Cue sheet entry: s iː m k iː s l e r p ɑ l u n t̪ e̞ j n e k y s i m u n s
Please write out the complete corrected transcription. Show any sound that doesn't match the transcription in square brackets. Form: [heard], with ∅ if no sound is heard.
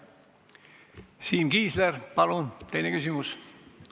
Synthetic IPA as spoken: s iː m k iː s l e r p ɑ l u n t̪ e̞ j n e k y s i m u [∅] s